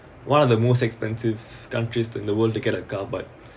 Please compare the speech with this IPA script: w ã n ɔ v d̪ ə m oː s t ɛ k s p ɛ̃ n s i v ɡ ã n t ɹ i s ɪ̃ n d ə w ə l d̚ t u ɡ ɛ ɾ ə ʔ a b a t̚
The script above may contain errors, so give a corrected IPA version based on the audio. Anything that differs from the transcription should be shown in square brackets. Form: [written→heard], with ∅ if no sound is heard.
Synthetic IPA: w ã n ɔ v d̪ ə m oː s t ɛ k s p ɛ̃ n s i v [ɡ→k] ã n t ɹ i s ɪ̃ n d ə w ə l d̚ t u ɡ ɛ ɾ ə [ʔ→k] a b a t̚